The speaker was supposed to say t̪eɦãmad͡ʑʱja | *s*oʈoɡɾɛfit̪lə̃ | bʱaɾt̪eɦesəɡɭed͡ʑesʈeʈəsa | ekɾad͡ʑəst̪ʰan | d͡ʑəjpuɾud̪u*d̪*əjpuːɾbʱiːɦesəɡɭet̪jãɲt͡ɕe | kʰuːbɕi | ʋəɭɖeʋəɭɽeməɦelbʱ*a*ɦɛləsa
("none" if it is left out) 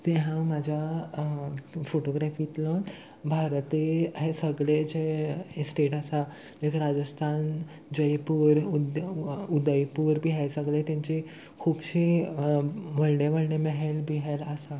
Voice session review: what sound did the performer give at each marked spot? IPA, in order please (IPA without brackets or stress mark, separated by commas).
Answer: f, d̪, i